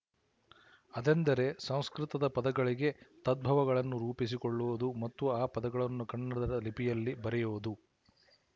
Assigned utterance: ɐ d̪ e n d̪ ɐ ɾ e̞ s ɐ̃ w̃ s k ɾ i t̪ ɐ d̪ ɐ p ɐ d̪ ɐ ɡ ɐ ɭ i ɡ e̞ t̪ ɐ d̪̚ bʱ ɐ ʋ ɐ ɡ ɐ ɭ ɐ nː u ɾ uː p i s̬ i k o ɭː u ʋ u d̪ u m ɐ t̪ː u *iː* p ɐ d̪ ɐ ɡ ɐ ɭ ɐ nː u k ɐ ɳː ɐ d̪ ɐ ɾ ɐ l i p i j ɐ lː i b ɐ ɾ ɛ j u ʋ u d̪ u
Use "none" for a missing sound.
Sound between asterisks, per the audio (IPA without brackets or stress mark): aː